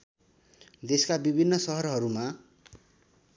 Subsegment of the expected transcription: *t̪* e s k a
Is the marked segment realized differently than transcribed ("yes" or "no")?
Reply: yes